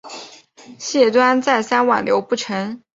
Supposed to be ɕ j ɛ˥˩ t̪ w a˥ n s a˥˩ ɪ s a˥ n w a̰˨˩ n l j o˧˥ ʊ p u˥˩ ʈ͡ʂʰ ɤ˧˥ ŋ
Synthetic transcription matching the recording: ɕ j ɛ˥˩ t̪ w a˥ n t͡s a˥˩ ɪ s a˥ n w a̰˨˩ n l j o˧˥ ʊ p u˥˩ ʈ͡ʂʰ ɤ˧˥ ŋ